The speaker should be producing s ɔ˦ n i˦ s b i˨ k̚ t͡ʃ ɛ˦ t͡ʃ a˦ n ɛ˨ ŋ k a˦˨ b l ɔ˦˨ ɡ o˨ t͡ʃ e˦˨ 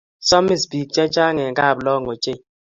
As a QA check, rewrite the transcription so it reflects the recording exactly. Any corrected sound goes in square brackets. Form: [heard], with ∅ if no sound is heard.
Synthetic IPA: s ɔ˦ [m] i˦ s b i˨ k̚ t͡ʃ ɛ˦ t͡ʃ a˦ [ŋ] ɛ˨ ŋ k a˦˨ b l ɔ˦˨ [ŋ] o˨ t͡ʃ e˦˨